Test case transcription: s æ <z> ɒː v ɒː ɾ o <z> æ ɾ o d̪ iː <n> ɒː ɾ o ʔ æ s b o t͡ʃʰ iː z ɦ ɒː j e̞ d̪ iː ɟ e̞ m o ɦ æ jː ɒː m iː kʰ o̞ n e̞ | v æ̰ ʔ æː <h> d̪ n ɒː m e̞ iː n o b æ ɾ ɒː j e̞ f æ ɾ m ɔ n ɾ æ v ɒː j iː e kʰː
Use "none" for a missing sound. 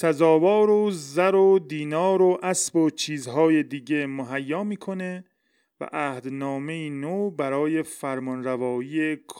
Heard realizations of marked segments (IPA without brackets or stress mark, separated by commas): z, z, n, h